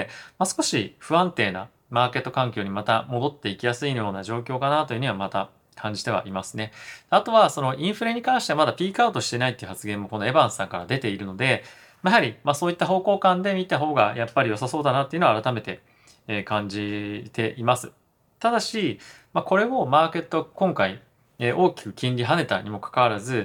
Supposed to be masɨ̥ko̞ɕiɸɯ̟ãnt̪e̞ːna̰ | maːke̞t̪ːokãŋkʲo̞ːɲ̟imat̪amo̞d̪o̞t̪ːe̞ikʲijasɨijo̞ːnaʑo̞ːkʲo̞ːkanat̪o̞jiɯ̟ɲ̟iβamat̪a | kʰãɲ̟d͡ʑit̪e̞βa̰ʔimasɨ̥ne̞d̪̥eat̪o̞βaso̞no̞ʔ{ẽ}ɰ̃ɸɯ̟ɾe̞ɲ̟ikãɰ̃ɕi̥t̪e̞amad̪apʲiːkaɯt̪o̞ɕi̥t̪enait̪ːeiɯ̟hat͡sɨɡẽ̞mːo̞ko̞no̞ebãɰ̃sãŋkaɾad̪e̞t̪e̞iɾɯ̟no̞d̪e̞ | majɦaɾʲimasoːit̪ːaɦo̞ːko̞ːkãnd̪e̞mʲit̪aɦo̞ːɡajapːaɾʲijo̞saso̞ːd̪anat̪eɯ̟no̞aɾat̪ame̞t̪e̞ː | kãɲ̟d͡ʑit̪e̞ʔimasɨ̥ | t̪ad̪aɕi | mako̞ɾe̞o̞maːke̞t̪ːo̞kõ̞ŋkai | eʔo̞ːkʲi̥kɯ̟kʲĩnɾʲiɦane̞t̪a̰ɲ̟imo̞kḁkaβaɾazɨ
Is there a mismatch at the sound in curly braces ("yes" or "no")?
yes